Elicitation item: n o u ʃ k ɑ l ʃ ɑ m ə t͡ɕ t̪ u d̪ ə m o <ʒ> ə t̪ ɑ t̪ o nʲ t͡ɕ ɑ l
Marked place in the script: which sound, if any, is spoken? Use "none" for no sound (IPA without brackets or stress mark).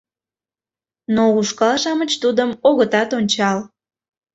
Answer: ɣ